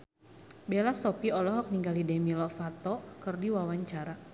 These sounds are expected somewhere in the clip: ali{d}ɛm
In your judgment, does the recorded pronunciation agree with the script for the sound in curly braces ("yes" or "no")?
yes